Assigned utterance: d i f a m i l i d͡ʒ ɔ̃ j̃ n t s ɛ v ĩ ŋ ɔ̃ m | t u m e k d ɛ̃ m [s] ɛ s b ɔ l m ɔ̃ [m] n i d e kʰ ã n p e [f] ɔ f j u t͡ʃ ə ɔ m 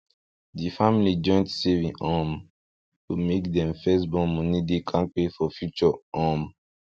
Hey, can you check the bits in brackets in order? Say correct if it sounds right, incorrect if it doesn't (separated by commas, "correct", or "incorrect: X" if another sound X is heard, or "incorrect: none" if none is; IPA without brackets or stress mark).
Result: incorrect: f, incorrect: none, correct